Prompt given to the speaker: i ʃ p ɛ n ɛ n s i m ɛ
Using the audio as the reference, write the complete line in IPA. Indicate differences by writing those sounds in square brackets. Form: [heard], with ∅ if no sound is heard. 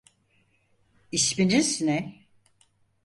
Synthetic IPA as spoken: i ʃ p [i] n [i] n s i [n] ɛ